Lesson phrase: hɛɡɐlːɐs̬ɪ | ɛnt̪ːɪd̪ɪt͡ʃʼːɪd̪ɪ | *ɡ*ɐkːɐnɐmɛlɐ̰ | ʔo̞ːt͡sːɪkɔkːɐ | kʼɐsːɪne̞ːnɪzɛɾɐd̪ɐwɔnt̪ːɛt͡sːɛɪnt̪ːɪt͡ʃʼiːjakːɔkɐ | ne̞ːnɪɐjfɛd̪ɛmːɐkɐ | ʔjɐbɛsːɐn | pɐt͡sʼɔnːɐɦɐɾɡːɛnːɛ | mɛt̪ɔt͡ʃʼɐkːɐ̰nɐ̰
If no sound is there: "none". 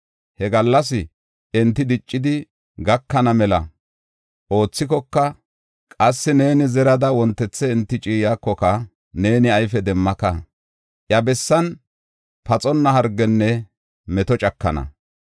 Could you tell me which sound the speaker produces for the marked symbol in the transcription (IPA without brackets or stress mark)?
ɡ